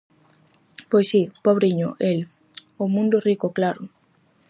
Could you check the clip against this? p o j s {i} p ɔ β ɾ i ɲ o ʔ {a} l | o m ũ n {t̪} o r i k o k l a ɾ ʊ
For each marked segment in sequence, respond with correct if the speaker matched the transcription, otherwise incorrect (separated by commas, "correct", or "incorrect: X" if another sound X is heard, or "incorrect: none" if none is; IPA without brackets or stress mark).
correct, incorrect: e, incorrect: d̪